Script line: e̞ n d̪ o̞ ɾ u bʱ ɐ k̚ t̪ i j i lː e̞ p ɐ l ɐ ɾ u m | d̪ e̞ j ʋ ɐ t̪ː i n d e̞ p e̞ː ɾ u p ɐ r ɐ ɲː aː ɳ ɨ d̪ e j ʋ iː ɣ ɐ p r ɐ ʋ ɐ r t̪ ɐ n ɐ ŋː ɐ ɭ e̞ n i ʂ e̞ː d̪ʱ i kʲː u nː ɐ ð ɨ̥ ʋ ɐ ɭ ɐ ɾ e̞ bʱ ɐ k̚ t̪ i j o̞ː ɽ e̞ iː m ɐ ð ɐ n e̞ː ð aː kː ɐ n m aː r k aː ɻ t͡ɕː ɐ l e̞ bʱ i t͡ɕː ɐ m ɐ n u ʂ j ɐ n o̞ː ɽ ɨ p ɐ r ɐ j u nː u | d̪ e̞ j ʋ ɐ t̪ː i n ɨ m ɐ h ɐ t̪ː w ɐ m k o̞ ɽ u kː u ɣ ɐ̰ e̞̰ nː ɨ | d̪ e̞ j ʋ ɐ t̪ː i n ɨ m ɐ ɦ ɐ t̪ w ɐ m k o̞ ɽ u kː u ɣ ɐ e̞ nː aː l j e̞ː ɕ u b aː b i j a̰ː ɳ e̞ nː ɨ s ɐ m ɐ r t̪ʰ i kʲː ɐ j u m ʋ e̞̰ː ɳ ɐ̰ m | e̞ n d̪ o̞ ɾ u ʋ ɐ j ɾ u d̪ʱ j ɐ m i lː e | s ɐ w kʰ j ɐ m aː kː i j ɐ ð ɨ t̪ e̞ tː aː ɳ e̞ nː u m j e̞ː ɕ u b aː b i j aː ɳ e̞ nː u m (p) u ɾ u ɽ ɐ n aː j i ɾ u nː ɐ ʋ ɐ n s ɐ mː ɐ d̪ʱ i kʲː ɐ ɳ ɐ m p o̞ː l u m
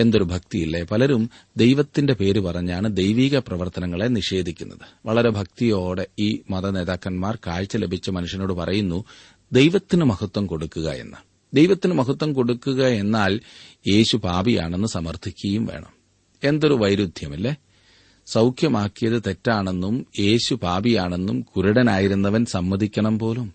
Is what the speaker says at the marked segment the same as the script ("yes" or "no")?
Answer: no